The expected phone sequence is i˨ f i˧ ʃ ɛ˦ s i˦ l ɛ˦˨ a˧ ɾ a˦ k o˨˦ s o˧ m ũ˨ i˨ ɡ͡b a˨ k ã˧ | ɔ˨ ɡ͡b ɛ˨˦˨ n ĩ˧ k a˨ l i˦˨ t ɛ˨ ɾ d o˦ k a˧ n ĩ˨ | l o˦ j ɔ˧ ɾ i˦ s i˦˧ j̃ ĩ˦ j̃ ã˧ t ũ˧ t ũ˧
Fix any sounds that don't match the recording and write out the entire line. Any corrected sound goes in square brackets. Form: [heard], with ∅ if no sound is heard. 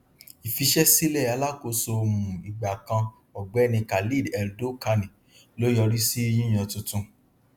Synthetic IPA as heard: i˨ f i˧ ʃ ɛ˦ s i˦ l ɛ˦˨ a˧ [l] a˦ k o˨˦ s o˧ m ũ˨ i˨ ɡ͡b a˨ k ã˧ | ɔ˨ ɡ͡b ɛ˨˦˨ n ĩ˧ k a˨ l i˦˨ [d] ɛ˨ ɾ d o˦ k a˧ n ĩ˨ | l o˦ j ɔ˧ ɾ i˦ s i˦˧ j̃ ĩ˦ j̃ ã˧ t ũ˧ t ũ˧